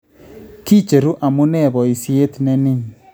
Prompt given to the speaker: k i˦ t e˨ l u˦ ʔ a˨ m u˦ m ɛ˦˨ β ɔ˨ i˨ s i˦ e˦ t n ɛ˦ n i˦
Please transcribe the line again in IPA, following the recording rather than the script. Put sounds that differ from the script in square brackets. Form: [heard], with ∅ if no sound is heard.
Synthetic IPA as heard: k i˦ [t͡ʃ] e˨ [ɾ] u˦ ʔ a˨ m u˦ [n] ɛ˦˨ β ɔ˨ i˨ s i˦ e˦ t n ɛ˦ n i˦

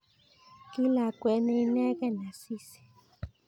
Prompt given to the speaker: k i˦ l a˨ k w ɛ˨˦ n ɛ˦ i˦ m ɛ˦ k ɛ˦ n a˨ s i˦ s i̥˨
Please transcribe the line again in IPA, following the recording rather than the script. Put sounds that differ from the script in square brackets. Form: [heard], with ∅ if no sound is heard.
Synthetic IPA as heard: k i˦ l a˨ k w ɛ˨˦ n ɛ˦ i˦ [n] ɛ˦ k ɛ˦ n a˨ s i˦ s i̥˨

